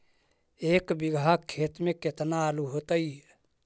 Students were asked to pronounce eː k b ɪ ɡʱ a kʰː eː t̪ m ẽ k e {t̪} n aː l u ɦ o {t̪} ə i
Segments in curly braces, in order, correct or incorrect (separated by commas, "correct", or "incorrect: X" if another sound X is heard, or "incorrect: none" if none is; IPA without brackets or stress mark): correct, correct